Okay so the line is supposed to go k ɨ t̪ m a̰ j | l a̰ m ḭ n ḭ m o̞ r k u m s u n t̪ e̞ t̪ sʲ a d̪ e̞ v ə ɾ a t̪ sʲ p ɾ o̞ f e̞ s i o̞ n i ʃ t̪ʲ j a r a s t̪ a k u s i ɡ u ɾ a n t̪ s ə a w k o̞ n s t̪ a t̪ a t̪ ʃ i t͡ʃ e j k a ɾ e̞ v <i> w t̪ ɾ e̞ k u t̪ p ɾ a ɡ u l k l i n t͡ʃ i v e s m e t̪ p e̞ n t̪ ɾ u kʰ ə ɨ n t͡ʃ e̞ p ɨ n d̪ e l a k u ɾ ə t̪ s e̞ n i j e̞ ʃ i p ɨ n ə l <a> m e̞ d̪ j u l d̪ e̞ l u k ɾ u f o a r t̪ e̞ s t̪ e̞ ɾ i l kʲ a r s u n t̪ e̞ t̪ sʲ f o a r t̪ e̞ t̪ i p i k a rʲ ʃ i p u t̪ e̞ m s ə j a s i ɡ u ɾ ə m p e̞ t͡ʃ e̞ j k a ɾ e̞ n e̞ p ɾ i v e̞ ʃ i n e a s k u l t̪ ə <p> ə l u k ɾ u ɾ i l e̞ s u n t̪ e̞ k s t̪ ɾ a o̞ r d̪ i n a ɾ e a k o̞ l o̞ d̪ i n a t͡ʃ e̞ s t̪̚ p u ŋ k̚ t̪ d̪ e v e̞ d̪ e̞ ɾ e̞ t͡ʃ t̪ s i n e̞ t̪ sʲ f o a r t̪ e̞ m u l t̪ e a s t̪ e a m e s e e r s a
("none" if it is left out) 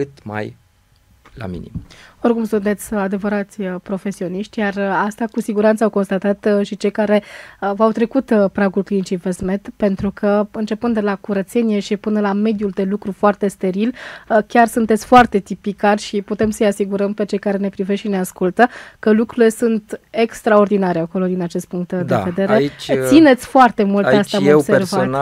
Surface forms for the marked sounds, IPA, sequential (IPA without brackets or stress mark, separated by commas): a, a, k